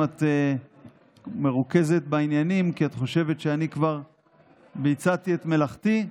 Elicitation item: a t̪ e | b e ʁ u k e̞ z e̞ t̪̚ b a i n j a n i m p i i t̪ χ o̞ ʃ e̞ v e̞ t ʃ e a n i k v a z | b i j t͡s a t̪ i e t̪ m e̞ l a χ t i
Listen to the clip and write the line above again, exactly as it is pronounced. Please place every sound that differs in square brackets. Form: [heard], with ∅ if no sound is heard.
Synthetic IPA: a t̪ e | [m] e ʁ u k e̞ z e̞ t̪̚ b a i n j a n i m [k] i [a] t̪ χ o̞ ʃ e̞ v e̞ t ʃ e a n i k v a [ʁ] | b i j t͡s a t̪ i e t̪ m e̞ l a χ t i